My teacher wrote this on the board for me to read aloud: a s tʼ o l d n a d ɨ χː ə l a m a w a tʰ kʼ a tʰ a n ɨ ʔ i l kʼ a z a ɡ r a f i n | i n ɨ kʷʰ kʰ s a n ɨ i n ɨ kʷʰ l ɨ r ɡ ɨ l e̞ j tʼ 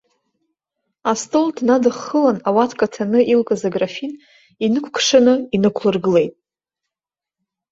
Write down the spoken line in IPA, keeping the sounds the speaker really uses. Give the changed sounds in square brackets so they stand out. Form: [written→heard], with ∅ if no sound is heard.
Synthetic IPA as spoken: a s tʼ o l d n a d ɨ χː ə l a [m→n] a w a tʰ kʼ a tʰ a n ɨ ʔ i l kʼ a z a ɡ r a f i n | i n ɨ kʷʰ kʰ [s→ʂ] a n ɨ i n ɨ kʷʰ l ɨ r ɡ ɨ l e̞ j tʼ